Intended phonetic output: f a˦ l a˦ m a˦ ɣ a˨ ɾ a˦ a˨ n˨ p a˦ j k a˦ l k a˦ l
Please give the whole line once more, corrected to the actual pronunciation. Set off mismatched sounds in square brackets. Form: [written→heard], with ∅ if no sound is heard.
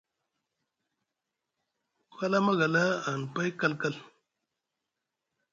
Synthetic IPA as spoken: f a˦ l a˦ m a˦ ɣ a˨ [ɾ→l] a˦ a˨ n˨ p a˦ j k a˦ l k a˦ l